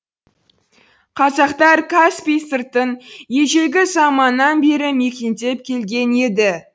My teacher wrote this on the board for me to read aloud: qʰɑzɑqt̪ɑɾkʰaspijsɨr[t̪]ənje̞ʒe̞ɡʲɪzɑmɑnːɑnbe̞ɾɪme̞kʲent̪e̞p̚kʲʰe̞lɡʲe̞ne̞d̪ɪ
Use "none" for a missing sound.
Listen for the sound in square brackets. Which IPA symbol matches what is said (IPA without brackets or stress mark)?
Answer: t̪